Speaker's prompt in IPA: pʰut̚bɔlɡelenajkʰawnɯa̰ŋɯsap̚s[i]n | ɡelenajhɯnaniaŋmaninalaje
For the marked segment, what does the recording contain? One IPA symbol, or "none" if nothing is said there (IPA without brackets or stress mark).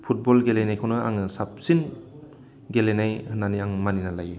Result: i